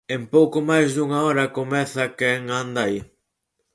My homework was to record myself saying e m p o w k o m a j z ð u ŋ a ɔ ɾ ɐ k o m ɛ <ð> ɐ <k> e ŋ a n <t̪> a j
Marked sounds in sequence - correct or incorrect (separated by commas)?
incorrect, correct, incorrect